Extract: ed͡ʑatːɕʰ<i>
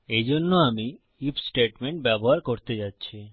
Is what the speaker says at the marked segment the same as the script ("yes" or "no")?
yes